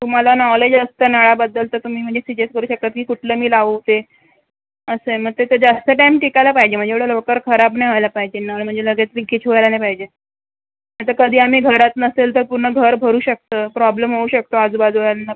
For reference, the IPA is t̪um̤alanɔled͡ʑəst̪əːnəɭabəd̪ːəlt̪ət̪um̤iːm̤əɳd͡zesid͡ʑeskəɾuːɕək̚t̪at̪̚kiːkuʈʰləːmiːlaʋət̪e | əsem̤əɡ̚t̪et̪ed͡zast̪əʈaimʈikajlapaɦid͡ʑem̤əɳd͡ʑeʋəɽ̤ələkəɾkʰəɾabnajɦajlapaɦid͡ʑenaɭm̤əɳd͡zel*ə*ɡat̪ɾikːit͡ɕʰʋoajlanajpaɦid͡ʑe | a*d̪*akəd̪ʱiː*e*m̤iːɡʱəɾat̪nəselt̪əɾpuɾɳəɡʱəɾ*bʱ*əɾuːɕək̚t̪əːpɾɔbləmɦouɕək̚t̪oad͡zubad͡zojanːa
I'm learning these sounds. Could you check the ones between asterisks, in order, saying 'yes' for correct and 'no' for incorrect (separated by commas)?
yes, no, no, yes